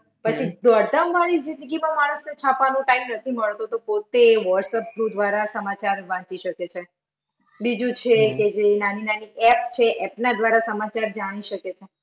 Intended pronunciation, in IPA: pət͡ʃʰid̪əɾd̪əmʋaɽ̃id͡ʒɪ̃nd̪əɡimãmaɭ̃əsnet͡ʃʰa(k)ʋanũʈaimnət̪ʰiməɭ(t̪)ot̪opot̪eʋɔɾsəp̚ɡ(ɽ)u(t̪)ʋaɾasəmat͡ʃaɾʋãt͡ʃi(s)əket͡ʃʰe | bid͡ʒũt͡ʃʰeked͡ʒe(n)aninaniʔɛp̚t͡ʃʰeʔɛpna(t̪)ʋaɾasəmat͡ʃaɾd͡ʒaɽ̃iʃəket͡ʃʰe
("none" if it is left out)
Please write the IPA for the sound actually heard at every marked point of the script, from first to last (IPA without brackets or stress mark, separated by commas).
p, t̪, ɾ, d̪, ʃ, n, d̪